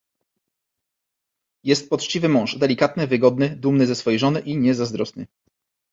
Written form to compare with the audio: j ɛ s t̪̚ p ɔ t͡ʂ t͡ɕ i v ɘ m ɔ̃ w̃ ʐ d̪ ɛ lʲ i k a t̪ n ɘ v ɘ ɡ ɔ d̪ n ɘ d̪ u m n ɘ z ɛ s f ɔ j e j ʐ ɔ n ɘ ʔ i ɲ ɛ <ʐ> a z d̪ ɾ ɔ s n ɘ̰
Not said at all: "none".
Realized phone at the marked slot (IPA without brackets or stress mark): z